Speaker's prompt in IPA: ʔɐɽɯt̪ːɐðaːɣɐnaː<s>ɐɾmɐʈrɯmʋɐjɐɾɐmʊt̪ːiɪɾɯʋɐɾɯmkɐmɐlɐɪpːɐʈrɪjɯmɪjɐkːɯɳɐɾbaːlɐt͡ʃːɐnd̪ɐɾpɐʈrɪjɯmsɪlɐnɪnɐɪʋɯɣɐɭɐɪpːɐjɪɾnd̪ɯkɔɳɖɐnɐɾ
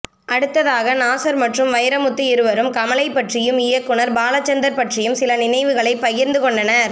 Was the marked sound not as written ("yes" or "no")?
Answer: no